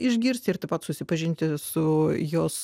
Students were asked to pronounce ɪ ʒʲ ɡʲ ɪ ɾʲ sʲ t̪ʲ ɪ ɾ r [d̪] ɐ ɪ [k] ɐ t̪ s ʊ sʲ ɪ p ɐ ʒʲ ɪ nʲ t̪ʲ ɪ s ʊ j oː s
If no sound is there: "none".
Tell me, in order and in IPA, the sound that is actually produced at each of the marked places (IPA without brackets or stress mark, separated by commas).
t̪, p